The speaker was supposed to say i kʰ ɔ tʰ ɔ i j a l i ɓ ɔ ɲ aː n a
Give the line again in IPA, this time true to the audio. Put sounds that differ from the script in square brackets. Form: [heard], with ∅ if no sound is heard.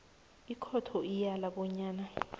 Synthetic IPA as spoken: i kʰ ɔ tʰ ɔ i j a l [a] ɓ ɔ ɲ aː n a